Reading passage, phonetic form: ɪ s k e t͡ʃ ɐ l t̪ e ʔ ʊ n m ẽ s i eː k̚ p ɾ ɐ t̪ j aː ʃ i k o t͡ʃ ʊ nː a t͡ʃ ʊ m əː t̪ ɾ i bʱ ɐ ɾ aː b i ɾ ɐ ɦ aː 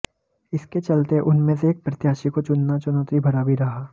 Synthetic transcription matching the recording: ɪ s k e t͡ʃ ɐ l t̪ e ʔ ʊ n m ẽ s e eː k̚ p ɾ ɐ t̪ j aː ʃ i k o t͡ʃ ʊ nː a t͡ʃ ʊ n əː t̪ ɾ i bʱ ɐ ɾ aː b i ɾ ɐ ɦ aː